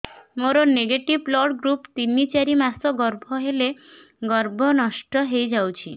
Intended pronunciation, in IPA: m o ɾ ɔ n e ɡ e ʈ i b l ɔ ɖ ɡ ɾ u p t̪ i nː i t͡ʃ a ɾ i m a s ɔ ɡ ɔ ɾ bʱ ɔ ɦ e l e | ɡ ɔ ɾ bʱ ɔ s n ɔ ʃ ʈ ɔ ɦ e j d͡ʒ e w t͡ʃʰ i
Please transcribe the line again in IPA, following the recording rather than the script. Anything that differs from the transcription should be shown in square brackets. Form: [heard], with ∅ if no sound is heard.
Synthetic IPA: m o ɾ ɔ n e ɡ e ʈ i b l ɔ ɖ ɡ ɾ u p t̪ i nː i t͡ʃ a ɾ i m a s ɔ ɡ ɔ ɾ bʱ ɔ ɦ e l e | ɡ ɔ ɾ bʱ ɔ [∅] n ɔ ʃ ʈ ɔ ɦ e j d͡ʒ [a] w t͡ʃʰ i